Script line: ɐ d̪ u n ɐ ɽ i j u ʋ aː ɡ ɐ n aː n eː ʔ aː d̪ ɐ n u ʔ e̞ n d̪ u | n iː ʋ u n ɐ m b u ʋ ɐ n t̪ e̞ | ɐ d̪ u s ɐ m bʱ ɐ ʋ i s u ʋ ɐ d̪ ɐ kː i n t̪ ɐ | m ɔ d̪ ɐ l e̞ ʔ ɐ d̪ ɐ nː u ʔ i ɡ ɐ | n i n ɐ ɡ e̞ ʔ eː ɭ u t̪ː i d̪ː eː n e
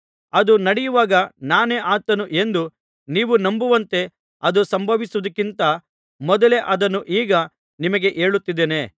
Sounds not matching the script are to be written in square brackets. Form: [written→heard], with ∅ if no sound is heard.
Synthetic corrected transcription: ɐ d̪ u n ɐ ɽ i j u ʋ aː ɡ ɐ n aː n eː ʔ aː [d̪→t̪] ɐ n u ʔ e̞ n d̪ u | n iː ʋ u n ɐ m b u ʋ ɐ n t̪ e̞ | ɐ d̪ u s ɐ m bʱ ɐ ʋ i s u ʋ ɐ d̪ ɐ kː i n t̪ ɐ | m ɔ d̪ ɐ l e̞ ʔ ɐ d̪ ɐ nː u ʔ [i→iː] ɡ ɐ | n i [n→m] ɐ ɡ e̞ ʔ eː ɭ u t̪ː i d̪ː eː n e